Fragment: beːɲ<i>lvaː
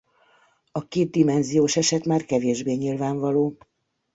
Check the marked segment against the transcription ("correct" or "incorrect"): correct